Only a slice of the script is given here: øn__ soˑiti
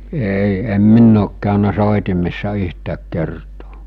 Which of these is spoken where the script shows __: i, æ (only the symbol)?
æ